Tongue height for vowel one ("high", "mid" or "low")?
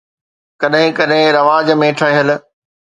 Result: low